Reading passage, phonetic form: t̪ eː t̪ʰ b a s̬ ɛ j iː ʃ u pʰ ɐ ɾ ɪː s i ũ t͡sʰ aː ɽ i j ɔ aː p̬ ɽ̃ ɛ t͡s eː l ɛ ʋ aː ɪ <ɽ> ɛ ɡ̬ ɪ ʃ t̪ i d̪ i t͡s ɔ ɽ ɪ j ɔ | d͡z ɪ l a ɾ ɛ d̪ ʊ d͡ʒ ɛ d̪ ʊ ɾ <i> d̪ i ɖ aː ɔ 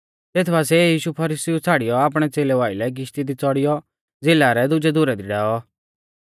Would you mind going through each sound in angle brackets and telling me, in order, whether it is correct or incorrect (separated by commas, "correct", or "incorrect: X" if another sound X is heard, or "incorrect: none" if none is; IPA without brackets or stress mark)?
incorrect: l, incorrect: ɛ